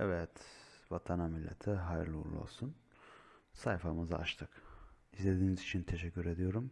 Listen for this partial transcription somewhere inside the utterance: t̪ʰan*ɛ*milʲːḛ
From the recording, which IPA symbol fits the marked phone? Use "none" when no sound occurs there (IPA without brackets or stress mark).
a